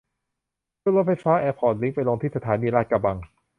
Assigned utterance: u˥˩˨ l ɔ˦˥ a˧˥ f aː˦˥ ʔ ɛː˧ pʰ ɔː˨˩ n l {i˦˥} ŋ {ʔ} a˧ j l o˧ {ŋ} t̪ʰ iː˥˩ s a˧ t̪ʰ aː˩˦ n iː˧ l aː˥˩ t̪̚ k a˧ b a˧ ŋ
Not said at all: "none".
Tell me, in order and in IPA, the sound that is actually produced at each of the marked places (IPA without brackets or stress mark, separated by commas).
i˦˥, p, ŋ